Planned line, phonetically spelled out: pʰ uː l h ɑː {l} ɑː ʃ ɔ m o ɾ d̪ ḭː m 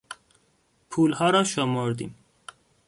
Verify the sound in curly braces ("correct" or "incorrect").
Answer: incorrect